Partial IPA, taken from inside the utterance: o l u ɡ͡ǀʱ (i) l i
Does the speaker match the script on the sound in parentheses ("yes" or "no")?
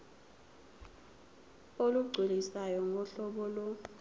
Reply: yes